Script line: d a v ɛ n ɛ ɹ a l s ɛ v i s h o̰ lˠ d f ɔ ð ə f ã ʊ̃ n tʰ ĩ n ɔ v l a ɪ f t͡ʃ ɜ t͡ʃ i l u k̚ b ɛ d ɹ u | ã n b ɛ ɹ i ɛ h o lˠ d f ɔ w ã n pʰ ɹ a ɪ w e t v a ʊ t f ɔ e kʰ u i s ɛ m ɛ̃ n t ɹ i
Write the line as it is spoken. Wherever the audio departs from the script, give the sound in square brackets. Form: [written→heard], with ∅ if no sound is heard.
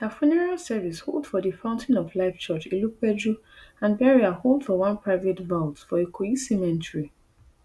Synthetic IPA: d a [v→f] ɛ n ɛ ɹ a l s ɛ v i s h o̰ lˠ d f ɔ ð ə f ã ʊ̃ n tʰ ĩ n ɔ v l a ɪ f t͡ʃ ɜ t͡ʃ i l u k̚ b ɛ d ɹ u | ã n b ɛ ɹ i [ɛ→a] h o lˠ d f ɔ w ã n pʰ ɹ a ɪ [w→v] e t v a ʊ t f ɔ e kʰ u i s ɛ m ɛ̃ n t ɹ i